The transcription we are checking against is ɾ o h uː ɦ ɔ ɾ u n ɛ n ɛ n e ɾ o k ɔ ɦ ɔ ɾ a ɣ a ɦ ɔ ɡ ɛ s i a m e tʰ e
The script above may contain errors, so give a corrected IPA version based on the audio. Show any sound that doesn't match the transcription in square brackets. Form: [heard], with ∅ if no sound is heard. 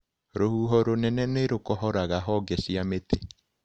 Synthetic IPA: ɾ o h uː ɦ ɔ ɾ [o] n ɛ n ɛ n e ɾ o k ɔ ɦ ɔ ɾ a ɣ a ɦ ɔ ɡ ɛ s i a m e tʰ e